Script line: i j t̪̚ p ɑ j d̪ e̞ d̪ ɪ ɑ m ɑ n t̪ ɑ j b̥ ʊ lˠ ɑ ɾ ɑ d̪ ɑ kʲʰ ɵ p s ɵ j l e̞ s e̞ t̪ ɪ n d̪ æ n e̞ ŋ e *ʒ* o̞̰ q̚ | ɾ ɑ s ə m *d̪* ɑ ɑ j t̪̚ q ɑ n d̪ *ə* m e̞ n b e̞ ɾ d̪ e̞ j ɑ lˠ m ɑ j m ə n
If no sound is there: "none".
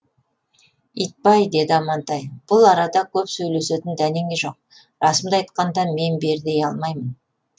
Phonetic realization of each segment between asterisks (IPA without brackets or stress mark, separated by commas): ʒ, d̪, ɑ